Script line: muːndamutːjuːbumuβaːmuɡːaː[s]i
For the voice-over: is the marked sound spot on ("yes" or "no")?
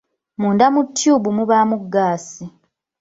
yes